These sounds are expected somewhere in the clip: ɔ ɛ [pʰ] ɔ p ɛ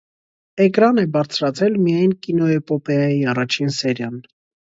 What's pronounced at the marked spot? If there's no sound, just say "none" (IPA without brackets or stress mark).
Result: p